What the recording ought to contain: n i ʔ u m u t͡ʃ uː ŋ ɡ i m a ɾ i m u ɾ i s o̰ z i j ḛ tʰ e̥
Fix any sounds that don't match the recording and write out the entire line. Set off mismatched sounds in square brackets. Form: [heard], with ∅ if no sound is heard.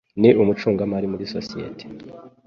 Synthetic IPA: n i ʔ u m u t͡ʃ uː ŋ ɡ [a] m a ɾ i m u ɾ i s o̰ [s] i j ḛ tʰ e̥